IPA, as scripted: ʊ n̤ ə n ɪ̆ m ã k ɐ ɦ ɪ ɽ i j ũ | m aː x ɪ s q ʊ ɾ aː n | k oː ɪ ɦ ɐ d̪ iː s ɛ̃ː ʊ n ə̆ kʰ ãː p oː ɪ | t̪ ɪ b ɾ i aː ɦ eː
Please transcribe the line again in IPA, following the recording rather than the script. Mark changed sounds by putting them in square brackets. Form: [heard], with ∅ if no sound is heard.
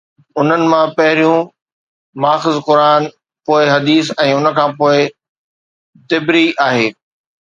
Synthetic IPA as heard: ʊ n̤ ə n ɪ̆ m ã [p] ɐ ɦ ɪ [ɾ] i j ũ | m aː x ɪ [z] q ʊ ɾ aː n | [p] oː ɪ ɦ ɐ d̪ iː s ɛ̃ː ʊ n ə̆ kʰ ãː p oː ɪ | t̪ ɪ b ɾ i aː ɦ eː

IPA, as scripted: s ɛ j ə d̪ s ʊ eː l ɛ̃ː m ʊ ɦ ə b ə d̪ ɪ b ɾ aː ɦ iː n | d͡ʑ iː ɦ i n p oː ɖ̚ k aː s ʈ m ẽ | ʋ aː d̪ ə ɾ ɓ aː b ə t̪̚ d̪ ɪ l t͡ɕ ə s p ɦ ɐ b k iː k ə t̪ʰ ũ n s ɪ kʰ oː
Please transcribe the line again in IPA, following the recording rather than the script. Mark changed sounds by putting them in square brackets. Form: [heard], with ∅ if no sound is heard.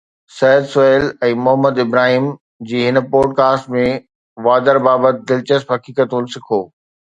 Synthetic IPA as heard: s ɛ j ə d̪ s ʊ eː l ɛ̃ː m ʊ ɦ ə [m] ə d̪ ɪ b ɾ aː ɦ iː [m] | d͡ʑ iː ɦ [ɪ] n p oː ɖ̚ k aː s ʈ m ẽ | ʋ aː d̪ ə ɾ [b] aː b ə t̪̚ d̪ ɪ l t͡ɕ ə s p ɦ ɐ [∅] k iː k ə [t̪] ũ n s ɪ kʰ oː

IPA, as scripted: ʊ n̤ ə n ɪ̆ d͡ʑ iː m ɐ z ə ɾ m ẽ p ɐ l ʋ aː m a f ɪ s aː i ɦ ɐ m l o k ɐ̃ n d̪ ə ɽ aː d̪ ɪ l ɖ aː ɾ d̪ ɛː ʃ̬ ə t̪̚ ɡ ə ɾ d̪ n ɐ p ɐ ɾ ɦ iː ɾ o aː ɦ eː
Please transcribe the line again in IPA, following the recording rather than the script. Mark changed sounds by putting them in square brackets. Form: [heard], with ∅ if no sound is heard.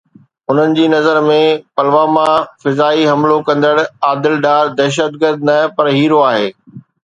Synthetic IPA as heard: ʊ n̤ ə n ɪ̆ d͡ʑ iː [n] ɐ z ə ɾ m ẽ p ɐ l ʋ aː m a f ɪ [z] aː i ɦ ɐ m l o k ɐ̃ n d̪ ə ɽ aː d̪ ɪ l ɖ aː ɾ d̪ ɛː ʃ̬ ə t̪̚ ɡ ə ɾ d̪ n ɐ p ɐ ɾ ɦ iː ɾ o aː ɦ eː

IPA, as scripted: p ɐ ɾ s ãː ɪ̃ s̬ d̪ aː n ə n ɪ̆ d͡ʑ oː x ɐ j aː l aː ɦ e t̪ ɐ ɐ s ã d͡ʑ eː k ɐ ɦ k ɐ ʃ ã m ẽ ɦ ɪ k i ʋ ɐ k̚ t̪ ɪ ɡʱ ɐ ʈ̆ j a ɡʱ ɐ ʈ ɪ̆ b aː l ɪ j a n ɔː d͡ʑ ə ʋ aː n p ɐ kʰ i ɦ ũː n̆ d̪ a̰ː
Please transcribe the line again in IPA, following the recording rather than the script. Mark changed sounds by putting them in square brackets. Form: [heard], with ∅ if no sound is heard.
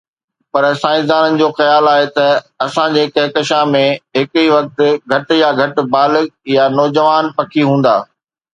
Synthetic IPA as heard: p ɐ ɾ s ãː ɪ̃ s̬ d̪ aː n ə n ɪ̆ d͡ʑ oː x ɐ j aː l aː ɦ e t̪ ɐ ɐ s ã d͡ʑ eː k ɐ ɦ k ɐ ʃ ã m ẽ ɦ ɪ k i ʋ ɐ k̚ t̪ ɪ ɡʱ ɐ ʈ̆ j a ɡʱ ɐ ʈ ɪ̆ b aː l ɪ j a n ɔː d͡ʑ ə ʋ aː n p ɐ kʰ i ɦ ũː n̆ d̪ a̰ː

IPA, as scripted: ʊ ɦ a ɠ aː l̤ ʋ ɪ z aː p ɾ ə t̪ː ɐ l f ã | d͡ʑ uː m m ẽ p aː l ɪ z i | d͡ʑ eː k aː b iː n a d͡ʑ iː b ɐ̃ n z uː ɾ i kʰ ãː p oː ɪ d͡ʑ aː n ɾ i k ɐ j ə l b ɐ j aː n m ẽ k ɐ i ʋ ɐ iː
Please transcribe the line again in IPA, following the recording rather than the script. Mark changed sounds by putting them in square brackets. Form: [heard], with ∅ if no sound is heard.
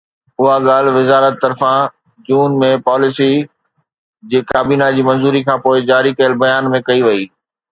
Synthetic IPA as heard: ʊ ɦ a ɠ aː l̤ ʋ ɪ z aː [∅] ɾ ə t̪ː ɐ [ɾ] f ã | d͡ʑ uː [n] m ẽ p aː l ɪ [s] i | d͡ʑ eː k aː b iː n a d͡ʑ iː [m] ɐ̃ n z uː ɾ i kʰ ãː p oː ɪ d͡ʑ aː [∅] ɾ i k ɐ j ə l b ɐ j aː n m ẽ k ɐ i ʋ ɐ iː

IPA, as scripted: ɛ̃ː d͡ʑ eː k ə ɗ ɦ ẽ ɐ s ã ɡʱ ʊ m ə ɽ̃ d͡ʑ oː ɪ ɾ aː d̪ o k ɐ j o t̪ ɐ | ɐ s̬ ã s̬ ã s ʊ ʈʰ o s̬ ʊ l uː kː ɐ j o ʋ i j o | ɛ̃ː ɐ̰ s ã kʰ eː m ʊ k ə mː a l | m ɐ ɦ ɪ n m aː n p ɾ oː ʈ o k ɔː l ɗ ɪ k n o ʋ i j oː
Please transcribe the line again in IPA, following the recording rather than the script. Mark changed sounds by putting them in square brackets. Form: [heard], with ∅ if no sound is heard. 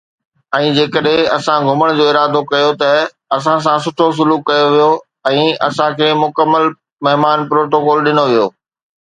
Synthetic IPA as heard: ɛ̃ː d͡ʑ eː k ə ɗ ɦ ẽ ɐ s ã ɡʱ ʊ m ə ɽ̃ d͡ʑ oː ɪ ɾ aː d̪ o k ɐ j o t̪ ɐ | ɐ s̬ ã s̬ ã s ʊ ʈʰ o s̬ ʊ l uː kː ɐ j o ʋ i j o | ɛ̃ː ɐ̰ s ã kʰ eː m ʊ k ə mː [ə] l | m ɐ ɦ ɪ [∅] m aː n p ɾ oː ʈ o k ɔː l ɗ ɪ [∅] n o ʋ i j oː

